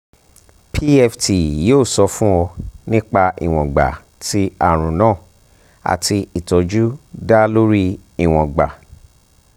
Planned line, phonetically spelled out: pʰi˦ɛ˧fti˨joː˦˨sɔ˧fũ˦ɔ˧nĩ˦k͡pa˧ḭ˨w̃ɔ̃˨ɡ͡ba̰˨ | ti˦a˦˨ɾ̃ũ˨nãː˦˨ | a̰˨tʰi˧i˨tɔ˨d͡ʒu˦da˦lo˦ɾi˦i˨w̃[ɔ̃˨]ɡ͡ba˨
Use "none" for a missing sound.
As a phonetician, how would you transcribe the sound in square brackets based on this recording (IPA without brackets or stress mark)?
ɔ̃˨